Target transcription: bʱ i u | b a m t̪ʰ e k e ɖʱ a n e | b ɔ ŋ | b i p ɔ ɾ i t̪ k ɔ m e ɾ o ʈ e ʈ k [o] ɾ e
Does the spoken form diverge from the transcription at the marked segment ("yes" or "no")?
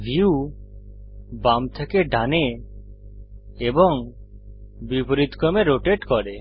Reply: yes